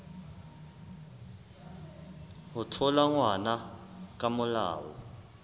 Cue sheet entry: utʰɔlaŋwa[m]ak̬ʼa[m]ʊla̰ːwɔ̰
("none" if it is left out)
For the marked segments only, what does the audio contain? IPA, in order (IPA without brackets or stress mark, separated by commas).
n, m